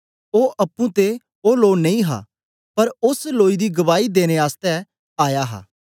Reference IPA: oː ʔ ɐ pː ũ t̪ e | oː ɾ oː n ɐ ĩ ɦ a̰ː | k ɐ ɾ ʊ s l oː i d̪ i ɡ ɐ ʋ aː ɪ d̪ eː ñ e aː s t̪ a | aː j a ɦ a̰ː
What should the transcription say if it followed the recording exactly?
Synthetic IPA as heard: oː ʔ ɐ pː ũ t̪ e | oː l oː n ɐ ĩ ɦ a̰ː | p ɐ ɾ ʊ s l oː i d̪ i ɡ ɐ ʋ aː i d̪ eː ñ e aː s t̪ ɛ | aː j a ɦ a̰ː